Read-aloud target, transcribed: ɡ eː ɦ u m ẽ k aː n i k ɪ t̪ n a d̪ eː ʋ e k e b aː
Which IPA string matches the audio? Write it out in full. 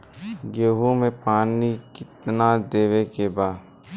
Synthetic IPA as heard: ɡ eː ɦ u m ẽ p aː n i k ɪ t̪ n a d̪ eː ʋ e k e b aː